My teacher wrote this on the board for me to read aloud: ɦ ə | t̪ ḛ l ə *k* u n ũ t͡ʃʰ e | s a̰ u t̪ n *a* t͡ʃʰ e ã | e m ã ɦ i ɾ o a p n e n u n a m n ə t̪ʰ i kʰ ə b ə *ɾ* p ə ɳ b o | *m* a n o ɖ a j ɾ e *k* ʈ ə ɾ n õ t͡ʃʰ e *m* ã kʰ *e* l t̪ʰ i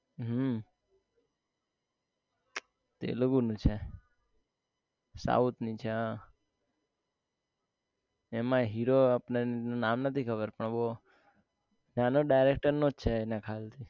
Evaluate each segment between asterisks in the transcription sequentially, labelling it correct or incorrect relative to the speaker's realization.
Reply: incorrect, incorrect, correct, incorrect, correct, incorrect, incorrect

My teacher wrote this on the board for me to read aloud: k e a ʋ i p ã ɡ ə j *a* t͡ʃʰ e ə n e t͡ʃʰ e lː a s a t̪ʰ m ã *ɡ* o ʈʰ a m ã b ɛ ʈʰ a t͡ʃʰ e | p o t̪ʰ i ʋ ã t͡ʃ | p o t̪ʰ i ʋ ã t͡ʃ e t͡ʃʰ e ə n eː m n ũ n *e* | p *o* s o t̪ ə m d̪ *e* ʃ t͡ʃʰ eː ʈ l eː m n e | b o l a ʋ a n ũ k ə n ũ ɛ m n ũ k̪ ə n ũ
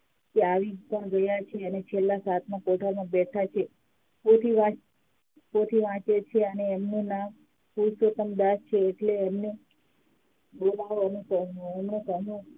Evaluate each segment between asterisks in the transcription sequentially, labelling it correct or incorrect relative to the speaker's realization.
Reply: correct, incorrect, incorrect, incorrect, incorrect

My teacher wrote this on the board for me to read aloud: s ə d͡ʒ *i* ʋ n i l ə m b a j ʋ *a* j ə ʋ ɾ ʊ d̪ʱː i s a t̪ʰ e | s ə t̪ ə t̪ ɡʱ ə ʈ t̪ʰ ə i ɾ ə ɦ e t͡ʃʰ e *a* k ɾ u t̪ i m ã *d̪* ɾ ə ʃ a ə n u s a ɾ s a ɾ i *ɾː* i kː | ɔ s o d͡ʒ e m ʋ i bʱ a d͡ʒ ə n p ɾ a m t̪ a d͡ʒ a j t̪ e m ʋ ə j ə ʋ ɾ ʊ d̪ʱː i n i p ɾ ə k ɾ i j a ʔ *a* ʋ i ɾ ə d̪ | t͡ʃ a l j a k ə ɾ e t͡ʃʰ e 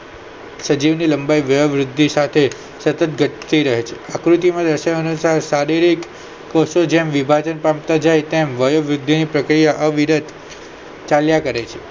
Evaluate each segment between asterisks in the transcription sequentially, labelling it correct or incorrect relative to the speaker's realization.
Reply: correct, incorrect, correct, correct, incorrect, incorrect

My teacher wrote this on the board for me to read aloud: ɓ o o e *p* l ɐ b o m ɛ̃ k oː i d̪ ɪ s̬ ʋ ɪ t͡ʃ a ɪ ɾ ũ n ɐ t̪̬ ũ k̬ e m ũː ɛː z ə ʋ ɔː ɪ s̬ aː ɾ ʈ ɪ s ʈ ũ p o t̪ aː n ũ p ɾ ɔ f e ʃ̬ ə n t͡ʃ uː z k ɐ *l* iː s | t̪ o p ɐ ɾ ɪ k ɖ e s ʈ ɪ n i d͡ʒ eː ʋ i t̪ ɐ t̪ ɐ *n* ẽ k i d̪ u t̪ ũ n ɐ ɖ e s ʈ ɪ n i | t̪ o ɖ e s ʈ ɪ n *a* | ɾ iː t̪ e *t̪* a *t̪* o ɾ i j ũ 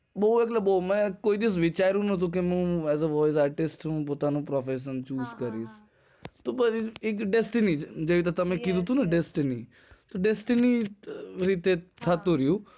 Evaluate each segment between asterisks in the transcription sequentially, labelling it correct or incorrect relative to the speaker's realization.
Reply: incorrect, incorrect, incorrect, incorrect, incorrect, correct

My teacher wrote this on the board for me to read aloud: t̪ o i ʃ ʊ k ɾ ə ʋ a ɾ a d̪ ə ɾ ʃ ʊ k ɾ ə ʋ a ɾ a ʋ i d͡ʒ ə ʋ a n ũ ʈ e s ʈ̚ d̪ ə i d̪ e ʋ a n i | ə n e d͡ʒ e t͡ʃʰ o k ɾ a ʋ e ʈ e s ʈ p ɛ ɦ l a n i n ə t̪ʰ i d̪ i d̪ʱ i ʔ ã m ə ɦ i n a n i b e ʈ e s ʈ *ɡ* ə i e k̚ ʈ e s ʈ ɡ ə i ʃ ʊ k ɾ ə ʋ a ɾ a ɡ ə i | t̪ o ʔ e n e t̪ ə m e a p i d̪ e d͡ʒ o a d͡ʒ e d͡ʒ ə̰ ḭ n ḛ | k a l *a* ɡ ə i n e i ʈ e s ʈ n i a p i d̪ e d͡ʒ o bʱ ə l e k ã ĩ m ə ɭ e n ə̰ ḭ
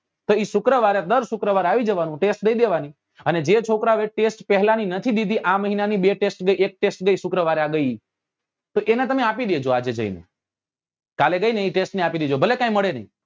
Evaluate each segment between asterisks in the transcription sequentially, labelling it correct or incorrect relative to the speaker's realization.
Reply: correct, incorrect

